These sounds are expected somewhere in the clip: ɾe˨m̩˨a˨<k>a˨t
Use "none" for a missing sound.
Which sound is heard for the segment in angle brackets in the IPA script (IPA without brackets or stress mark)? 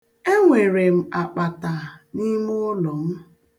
k͡p